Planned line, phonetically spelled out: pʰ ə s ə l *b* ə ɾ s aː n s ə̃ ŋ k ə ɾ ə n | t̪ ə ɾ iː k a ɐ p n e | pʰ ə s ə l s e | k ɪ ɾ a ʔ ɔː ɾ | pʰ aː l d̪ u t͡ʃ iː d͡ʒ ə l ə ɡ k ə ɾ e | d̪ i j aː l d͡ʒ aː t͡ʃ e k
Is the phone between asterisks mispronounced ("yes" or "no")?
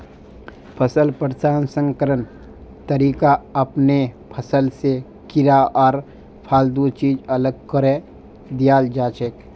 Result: yes